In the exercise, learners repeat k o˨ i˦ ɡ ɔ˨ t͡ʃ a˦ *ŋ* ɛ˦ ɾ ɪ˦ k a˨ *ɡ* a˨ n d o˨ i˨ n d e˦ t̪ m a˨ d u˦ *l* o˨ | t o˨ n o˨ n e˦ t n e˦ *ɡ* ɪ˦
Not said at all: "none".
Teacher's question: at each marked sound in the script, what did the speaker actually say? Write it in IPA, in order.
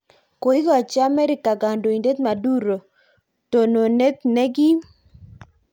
m, ɡ, ɾ, ɡ

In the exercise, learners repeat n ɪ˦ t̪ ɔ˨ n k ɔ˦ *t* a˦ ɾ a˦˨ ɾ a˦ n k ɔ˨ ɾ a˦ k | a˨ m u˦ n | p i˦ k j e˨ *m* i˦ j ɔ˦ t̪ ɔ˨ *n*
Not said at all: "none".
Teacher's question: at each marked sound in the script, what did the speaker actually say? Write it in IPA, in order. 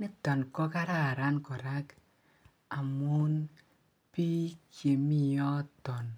k, m, n

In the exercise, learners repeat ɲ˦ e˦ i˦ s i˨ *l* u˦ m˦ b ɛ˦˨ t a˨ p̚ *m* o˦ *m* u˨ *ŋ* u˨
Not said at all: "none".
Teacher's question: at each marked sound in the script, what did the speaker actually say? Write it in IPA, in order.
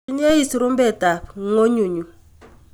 ɾ, ŋ, ɲ, ɲ

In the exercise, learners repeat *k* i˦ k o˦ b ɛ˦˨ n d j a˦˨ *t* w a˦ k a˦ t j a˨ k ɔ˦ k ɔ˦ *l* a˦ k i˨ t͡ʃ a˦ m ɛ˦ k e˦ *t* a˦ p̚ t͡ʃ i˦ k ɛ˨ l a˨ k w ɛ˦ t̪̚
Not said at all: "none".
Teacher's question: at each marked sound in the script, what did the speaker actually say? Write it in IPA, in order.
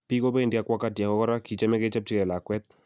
p, k, ɾ, t͡ʃ

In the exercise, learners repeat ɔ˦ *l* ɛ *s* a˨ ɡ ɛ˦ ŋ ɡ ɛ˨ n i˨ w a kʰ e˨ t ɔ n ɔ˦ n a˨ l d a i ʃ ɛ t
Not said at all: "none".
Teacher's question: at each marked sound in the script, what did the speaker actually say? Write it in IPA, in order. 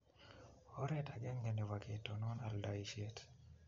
ɾ, t

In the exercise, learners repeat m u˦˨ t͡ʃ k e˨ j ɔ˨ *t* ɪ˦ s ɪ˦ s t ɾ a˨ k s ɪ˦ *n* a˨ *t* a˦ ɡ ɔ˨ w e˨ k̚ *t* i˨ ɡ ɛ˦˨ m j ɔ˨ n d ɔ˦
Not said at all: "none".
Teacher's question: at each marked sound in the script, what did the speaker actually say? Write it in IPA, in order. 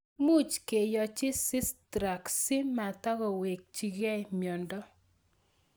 t͡ʃ, m, t, t͡ʃ

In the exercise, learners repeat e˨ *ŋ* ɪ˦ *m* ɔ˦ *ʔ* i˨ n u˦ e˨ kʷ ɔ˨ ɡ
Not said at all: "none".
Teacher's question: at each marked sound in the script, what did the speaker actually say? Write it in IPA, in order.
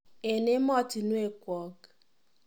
n, m, t

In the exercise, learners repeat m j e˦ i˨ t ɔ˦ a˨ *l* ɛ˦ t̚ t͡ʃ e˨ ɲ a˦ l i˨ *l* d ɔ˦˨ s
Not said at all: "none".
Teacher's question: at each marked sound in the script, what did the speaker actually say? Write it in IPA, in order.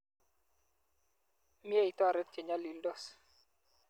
ɾ, l

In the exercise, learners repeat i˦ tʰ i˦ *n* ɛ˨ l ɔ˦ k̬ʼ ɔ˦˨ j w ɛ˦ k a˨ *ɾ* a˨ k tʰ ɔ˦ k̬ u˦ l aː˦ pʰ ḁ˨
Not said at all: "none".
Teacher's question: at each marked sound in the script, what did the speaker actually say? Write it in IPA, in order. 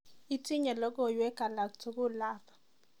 ɲ, l

